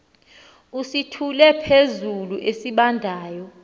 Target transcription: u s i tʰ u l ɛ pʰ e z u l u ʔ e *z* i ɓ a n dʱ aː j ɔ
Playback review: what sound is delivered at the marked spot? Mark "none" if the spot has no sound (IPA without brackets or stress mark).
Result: s